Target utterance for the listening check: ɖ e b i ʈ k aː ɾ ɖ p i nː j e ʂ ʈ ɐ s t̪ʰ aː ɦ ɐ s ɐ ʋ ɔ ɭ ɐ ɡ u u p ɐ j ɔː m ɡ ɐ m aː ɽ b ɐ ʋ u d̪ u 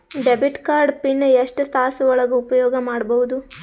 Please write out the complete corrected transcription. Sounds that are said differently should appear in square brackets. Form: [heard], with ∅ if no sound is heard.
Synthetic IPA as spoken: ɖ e b i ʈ k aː ɾ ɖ p i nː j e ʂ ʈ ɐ s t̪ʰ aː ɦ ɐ s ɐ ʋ ɔ ɭ ɐ ɡ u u p ɐ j ɔː [∅] ɡ ɐ m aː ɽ b ɐ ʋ u d̪ u